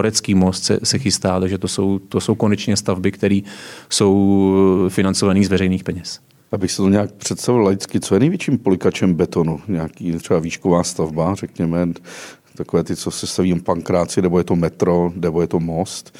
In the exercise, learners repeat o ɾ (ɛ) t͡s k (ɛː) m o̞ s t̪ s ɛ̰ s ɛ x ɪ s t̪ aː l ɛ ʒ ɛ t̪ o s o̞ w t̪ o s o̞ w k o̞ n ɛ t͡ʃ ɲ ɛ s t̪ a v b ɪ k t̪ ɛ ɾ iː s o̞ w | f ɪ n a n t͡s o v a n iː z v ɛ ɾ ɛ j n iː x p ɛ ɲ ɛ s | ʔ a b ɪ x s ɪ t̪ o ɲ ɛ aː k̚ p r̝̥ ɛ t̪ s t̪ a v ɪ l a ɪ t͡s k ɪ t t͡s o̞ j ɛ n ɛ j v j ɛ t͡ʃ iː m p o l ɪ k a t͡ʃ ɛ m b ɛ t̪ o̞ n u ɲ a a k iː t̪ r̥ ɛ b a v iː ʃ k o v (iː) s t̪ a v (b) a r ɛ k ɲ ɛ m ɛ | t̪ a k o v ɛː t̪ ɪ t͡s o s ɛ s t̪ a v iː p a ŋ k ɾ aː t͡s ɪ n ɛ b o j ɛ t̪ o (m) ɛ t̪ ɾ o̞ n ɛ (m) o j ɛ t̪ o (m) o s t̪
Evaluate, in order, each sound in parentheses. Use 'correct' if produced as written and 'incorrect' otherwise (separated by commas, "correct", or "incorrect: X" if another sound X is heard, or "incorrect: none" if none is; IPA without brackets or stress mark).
correct, incorrect: iː, incorrect: aː, correct, correct, incorrect: b, correct